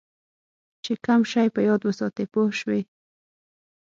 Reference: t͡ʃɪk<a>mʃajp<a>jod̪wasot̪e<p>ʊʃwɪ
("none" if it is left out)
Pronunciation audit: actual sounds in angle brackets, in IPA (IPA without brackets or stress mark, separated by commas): a, a, p